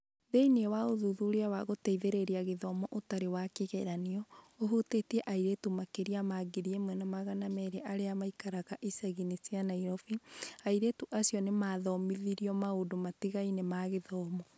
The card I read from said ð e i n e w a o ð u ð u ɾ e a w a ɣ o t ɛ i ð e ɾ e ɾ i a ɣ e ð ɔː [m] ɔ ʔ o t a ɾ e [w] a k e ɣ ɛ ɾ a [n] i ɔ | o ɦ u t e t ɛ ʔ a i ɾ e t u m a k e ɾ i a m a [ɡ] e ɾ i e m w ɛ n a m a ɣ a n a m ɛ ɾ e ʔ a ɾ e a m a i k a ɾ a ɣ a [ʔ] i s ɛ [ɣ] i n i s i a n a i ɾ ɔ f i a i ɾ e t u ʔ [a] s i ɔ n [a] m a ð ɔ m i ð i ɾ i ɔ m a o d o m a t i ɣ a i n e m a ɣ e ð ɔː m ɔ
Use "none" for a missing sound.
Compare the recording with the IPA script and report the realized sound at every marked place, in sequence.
m, w, n, ɡ, ʔ, ɣ, a, e

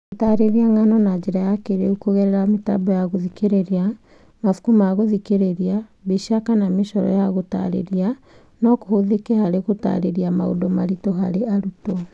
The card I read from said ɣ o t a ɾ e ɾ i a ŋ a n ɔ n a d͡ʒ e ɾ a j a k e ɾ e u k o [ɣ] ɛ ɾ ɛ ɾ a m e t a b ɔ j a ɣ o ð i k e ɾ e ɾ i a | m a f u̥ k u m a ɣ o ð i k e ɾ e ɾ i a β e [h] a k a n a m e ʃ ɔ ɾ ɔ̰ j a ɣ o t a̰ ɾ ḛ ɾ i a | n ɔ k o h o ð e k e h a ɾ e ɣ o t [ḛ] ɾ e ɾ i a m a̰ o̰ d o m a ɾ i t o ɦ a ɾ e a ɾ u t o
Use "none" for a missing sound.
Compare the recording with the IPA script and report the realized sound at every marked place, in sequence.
ɣ, ʃ, a̰

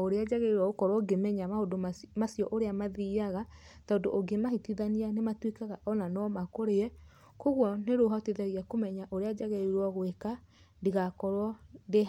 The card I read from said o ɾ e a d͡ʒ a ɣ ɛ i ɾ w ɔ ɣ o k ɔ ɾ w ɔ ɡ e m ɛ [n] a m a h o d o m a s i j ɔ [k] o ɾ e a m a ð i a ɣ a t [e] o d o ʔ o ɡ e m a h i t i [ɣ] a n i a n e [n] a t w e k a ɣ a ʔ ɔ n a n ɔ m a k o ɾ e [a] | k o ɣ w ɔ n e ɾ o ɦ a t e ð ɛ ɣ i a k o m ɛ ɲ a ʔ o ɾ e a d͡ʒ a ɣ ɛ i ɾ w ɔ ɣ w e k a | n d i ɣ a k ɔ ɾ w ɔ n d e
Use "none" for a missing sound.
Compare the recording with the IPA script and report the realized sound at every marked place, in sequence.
ɲ, ʔ, a, ð, m, ɛ

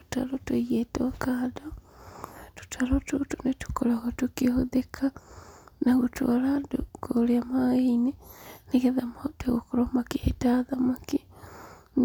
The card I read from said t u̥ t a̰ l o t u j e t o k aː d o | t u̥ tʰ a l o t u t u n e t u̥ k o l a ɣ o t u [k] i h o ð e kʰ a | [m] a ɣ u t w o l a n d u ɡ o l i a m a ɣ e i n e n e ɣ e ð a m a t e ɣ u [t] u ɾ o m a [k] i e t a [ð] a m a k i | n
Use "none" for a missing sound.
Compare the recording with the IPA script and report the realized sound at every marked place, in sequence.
k, n, k, k, ð

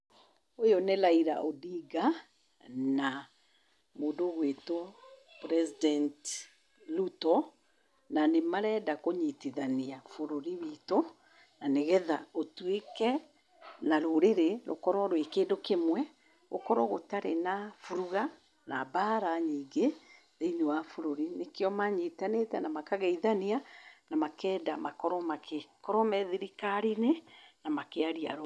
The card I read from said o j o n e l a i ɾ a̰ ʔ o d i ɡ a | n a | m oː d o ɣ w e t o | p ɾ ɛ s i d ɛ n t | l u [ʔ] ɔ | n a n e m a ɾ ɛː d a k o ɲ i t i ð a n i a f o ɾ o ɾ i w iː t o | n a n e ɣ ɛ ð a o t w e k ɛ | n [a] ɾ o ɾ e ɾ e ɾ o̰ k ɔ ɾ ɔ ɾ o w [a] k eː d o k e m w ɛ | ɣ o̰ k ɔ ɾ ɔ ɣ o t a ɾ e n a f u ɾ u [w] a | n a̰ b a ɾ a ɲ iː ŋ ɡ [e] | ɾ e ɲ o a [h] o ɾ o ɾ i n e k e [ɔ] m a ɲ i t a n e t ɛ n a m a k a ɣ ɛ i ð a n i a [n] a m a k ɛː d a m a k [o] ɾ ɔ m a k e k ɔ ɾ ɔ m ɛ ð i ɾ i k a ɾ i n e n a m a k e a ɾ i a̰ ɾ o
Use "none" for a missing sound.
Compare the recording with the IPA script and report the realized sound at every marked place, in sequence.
t, a, e, ɣ, e, f, ɔ, n, ɔ

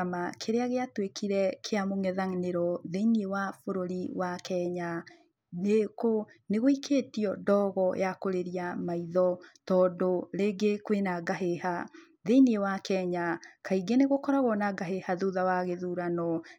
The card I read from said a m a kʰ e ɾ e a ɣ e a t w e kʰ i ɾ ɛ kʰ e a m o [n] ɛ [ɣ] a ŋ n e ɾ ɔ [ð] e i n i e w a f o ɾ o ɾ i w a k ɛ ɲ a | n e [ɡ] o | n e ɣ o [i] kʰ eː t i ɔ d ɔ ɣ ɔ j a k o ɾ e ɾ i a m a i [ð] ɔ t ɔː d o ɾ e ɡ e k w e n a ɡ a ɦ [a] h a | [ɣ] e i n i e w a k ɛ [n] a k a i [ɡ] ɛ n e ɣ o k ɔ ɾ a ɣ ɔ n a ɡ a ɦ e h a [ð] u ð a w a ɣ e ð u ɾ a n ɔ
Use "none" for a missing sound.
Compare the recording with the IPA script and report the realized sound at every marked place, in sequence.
ŋ, ð, ð, k, i, ð, e, ð, ɲ, ɡ, ð

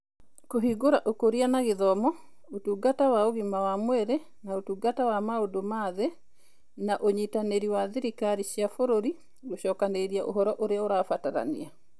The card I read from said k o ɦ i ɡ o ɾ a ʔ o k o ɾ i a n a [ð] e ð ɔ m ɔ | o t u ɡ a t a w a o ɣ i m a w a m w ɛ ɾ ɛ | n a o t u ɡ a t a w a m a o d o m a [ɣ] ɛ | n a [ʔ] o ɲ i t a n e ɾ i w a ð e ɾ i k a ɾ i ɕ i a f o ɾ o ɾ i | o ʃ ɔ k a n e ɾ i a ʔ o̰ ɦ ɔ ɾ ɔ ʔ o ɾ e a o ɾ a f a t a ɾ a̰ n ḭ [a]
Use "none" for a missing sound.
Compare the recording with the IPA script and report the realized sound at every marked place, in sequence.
ɣ, ð, ʔ, a

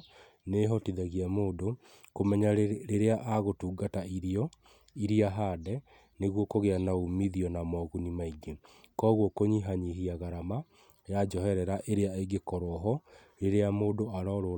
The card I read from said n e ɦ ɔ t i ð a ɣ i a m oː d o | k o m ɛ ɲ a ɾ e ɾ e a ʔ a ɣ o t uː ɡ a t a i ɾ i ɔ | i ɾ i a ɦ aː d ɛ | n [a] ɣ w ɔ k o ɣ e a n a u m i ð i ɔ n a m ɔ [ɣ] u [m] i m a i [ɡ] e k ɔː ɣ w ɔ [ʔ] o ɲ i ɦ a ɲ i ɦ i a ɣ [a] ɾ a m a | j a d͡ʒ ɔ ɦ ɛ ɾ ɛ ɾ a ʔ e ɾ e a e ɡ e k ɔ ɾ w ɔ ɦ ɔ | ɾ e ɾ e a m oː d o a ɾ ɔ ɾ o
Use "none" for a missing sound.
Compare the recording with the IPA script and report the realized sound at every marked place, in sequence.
e, ɣ, n, ɡ, k, a

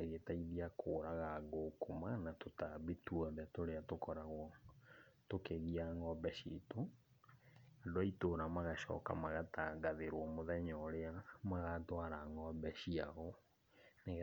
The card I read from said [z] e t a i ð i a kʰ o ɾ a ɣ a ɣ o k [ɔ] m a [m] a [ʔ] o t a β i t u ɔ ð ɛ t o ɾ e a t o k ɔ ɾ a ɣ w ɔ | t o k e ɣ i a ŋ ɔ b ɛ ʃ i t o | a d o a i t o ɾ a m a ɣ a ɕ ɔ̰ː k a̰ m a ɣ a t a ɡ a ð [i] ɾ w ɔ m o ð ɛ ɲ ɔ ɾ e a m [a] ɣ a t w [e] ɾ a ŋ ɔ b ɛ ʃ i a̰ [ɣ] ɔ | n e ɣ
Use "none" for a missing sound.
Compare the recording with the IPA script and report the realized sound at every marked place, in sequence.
ɣ, o, n, t, e, a, a, ɣ

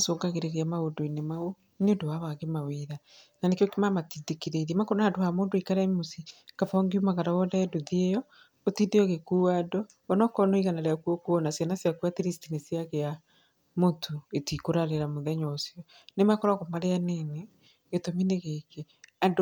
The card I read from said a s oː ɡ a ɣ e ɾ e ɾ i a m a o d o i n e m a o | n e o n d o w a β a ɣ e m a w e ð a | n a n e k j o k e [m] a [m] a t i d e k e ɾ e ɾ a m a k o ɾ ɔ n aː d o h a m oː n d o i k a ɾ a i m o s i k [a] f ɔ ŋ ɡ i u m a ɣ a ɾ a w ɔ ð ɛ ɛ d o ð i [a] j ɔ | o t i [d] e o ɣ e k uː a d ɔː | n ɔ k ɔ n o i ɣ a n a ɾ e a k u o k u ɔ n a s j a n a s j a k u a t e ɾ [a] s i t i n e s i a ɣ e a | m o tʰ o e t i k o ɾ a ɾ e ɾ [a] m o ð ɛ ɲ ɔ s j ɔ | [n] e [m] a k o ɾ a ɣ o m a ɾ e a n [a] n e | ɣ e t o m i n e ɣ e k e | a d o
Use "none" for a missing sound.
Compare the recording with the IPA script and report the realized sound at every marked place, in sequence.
m, m, a, e, d, i, a, n, m, e

